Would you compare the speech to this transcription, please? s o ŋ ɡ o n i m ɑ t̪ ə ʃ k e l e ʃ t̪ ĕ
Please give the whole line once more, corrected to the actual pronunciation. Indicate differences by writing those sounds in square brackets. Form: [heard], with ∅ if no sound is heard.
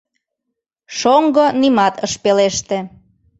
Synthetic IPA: [ʃ] o ŋ ɡ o n i m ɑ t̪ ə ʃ [p] e l e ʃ t̪ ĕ